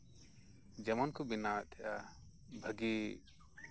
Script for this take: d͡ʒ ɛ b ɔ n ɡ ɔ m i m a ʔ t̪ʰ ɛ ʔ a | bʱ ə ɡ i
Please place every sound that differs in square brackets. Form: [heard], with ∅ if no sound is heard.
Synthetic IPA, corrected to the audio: d͡ʒ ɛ [m] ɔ n [k] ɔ [b] i [n] a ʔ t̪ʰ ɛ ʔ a | bʱ ə ɡ i